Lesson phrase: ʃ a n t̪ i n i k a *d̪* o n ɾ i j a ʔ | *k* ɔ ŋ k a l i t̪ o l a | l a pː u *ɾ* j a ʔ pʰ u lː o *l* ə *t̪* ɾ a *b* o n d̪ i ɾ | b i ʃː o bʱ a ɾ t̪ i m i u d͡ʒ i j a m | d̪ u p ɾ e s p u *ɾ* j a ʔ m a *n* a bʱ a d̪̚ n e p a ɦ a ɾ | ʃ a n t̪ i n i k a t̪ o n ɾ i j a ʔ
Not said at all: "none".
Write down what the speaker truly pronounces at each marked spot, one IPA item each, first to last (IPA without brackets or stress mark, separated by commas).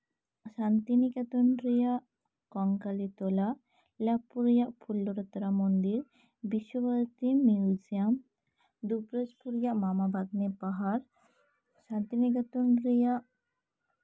t̪, k, ɾ, ɾ, t̪, m, ɾ, m